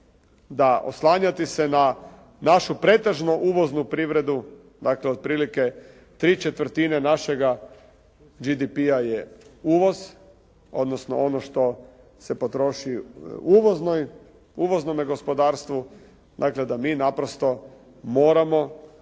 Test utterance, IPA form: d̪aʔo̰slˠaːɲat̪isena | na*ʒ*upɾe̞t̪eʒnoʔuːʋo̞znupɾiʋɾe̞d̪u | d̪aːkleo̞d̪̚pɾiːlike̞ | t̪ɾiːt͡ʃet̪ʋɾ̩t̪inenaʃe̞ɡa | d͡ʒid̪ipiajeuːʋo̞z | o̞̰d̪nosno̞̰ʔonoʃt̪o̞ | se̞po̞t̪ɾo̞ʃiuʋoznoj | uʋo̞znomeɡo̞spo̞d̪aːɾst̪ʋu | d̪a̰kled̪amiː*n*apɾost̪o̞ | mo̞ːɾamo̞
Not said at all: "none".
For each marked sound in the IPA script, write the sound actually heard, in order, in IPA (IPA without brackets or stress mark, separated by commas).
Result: ʃ, n